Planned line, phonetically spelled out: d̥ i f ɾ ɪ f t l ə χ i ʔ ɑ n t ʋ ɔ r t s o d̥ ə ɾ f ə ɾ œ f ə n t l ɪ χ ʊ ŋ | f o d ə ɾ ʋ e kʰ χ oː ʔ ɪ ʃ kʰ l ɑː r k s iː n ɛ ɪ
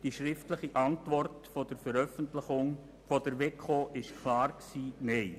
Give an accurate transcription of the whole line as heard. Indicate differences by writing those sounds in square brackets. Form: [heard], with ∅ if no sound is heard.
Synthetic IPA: d̥ i [ʃ] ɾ ɪ f t l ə χ i ʔ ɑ n t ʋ ɔ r t [f] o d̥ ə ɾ f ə ɾ œ f ə n t l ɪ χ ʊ ŋ | f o d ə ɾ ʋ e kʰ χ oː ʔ ɪ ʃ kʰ l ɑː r k s iː n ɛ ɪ